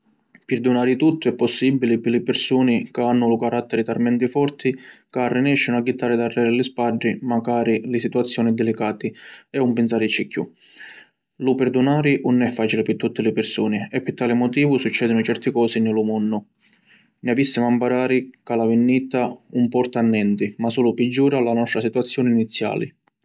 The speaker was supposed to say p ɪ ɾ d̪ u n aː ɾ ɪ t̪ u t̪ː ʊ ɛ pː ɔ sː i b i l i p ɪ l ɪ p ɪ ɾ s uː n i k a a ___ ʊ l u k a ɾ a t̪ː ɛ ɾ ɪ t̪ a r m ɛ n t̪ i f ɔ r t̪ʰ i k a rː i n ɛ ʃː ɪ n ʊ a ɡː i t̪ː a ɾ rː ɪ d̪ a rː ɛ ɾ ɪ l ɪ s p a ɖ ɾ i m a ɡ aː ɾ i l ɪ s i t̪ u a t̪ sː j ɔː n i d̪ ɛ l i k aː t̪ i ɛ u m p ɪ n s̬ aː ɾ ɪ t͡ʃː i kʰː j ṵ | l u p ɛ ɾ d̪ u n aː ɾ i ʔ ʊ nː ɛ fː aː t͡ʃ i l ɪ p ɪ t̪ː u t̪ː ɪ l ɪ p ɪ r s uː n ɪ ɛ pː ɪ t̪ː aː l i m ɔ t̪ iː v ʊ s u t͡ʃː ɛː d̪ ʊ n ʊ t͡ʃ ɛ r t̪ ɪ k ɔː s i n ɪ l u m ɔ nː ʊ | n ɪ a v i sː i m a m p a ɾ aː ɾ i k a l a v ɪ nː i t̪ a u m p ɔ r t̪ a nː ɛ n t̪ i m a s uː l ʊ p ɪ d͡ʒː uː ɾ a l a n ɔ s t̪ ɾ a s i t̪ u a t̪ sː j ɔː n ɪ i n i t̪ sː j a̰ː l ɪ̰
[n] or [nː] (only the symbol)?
nː